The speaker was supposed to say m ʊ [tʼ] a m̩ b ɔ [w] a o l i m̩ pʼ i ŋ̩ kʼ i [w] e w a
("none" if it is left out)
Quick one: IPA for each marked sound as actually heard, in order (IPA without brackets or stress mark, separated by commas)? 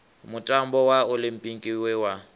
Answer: tʼ, w, w